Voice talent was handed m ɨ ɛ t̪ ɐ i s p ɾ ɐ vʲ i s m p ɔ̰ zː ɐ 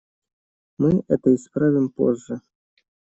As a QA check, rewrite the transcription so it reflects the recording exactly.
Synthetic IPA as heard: m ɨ ɛ t̪ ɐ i s p ɾ a vʲ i m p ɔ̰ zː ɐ